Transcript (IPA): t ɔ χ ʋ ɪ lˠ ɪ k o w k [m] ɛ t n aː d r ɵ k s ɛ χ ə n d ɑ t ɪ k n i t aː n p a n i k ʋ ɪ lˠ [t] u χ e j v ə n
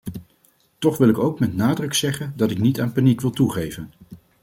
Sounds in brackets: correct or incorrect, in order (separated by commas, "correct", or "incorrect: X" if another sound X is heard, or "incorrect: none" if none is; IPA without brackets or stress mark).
correct, correct